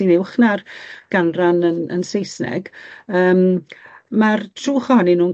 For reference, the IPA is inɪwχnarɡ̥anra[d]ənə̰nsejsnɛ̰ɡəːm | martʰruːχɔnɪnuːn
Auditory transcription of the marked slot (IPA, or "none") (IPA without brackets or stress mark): n